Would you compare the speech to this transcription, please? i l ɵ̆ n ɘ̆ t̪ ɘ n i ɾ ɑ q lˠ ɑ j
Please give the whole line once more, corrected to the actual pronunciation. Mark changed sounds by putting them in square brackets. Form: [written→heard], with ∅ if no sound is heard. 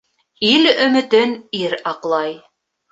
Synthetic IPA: i l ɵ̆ [n→m] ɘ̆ t̪ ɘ n i ɾ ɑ q lˠ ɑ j